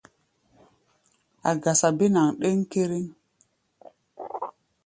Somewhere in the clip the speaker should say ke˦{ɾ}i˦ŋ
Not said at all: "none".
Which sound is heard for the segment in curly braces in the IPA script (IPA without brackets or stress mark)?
ɾ